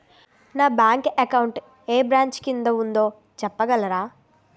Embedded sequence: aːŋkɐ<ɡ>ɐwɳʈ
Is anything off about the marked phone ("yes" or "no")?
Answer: yes